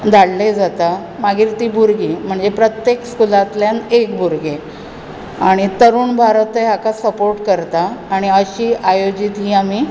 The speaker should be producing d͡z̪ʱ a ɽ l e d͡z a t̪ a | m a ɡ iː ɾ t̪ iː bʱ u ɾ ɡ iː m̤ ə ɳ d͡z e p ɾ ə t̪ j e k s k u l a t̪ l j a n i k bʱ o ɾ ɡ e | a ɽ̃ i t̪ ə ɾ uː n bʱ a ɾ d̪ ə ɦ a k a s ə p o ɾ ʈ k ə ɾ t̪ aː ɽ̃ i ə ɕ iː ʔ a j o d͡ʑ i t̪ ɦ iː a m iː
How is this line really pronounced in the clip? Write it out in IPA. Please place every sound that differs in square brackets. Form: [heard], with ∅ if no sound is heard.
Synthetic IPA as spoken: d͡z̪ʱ a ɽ l e d͡z a t̪ a | m a ɡ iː ɾ t̪ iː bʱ u ɾ ɡ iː m̤ ə ɳ d͡z e p ɾ ə t̪ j e k s k u l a t̪ l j a n [e] k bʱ [u] ɾ ɡ e | a ɽ̃ i t̪ ə ɾ uː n bʱ a ɾ [t̪] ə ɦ a k a s ə p o ɾ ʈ k ə ɾ t̪ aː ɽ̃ i ə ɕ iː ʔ a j o d͡ʑ i t̪ ɦ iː a m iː